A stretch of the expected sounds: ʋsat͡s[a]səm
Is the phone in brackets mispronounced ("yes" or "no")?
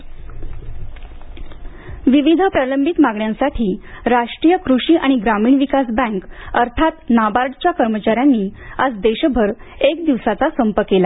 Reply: no